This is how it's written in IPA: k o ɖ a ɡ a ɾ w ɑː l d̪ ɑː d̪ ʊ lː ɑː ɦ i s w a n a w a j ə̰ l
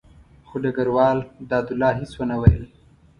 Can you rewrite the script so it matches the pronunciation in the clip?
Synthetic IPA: x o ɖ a ɡ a ɾ w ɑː l d̪ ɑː d̪ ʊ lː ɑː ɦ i s w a n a w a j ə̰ l